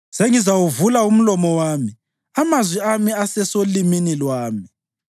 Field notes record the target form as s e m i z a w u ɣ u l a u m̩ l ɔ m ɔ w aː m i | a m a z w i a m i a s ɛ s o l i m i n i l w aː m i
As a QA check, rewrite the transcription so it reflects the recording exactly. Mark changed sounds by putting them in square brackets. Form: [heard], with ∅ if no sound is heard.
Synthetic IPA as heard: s e [ŋ] i z a w u [v] u l a u m̩ l ɔ m ɔ w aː m i | a m a z w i a m i a s ɛ s o l i m i n i l w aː m i